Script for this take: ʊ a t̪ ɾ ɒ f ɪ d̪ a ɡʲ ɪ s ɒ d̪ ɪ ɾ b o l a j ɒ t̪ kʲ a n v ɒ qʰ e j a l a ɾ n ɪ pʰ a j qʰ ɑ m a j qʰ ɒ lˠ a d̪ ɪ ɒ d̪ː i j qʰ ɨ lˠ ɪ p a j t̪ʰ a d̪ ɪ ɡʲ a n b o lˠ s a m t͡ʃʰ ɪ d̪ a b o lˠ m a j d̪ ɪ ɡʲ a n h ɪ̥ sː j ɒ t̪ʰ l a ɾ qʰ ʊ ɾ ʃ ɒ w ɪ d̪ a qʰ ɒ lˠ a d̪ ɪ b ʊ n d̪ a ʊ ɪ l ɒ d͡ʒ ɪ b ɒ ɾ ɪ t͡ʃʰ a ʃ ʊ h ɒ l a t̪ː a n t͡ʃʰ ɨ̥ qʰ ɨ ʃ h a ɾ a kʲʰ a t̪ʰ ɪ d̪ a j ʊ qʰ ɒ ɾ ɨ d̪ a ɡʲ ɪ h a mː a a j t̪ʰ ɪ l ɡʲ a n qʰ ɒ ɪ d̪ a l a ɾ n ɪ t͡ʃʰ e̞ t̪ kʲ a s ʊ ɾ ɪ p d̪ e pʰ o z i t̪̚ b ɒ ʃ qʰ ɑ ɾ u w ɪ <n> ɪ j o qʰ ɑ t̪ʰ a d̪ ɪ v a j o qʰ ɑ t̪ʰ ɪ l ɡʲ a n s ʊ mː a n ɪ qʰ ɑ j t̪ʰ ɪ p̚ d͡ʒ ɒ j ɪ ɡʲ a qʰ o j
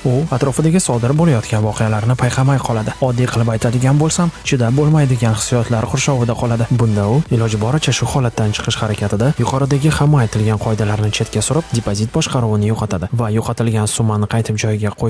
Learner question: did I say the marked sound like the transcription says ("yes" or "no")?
yes